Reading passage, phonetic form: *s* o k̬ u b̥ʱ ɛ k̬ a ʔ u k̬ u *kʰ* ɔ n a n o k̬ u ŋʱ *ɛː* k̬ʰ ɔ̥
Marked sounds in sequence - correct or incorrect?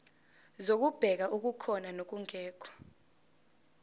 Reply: incorrect, correct, correct

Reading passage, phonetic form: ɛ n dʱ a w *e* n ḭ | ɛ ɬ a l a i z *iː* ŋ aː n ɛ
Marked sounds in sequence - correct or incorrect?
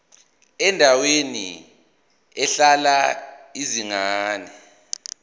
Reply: correct, incorrect

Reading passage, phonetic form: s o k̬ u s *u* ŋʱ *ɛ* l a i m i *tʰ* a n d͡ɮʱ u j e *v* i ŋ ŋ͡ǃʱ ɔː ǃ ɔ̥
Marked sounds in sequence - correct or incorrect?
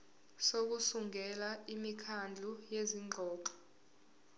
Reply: correct, correct, incorrect, incorrect

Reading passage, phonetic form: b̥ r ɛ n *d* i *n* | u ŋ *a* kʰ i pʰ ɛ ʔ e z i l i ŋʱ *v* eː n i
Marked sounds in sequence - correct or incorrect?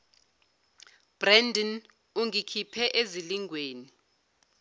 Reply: correct, correct, incorrect, incorrect

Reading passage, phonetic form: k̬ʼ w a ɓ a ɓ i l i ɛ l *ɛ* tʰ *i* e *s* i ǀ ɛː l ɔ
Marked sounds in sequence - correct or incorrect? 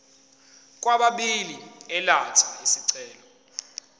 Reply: incorrect, incorrect, correct

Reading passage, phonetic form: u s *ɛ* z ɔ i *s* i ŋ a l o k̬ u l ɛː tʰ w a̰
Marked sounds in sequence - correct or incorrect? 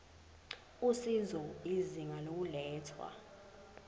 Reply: incorrect, incorrect

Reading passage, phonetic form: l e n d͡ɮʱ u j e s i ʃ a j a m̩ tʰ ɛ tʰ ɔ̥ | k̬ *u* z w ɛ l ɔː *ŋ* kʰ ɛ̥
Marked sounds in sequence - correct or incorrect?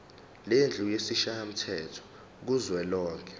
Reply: correct, correct

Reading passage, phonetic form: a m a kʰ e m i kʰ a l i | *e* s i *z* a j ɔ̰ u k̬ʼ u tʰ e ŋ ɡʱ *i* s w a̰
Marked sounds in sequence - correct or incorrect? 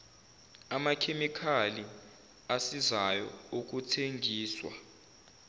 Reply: incorrect, correct, incorrect

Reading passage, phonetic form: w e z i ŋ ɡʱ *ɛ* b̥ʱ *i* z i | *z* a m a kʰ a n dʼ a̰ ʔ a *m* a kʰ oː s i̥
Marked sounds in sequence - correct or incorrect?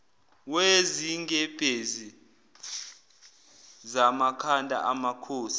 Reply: correct, incorrect, correct, correct

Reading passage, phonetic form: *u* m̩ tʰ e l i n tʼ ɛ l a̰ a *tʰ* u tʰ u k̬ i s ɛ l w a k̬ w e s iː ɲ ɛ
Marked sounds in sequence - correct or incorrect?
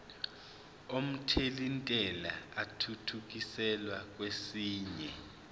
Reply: incorrect, correct

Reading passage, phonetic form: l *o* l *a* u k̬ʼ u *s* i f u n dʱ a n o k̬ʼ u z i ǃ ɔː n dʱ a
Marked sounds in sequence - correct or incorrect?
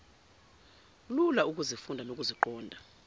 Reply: incorrect, correct, incorrect

